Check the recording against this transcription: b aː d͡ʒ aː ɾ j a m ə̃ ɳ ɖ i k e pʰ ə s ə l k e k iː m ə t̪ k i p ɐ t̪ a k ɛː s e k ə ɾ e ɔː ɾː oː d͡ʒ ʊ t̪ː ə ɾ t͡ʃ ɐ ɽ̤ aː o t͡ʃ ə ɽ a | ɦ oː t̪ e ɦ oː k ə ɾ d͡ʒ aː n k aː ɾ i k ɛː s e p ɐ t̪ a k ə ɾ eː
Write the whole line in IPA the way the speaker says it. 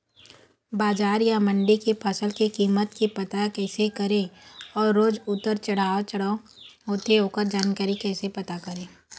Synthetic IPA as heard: b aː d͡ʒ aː ɾ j a m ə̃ ɳ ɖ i k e pʰ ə s ə l k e k iː m ə t̪ k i p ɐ t̪ a k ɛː s e k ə ɾ e ɔː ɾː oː d͡ʒ ʊ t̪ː ə ɾ t͡ʃ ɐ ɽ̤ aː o t͡ʃ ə ɽ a | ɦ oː t̪ e ɦ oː k ə ɾ d͡ʒ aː n k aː ɾ i k ɛː s e p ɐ t̪ a k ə ɾ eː